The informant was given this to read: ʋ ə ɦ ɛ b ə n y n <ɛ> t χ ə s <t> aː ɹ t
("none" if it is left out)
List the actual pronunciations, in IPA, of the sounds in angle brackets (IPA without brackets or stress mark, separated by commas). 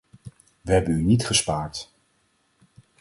i, p